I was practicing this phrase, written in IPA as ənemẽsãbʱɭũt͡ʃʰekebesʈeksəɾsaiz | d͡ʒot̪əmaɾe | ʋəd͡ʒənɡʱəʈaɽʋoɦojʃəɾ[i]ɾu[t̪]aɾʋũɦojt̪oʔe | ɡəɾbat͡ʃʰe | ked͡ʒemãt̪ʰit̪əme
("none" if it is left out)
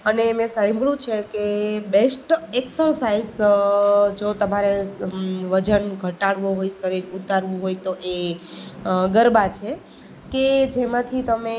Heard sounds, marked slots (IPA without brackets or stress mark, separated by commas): i, t̪